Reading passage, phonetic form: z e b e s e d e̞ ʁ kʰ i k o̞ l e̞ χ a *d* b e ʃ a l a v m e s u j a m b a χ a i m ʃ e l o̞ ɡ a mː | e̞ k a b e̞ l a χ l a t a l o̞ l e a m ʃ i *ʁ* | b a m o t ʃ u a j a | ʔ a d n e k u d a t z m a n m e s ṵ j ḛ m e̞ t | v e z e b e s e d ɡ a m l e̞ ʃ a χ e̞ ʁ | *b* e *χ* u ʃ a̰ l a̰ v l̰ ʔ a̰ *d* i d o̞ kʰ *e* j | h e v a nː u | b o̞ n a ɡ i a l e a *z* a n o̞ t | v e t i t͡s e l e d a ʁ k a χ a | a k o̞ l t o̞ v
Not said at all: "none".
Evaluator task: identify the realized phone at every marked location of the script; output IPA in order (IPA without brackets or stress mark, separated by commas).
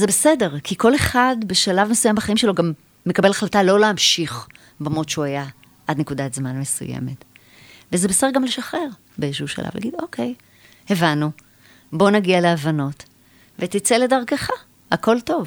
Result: d, χ, b, ʃ, ɡ, e, v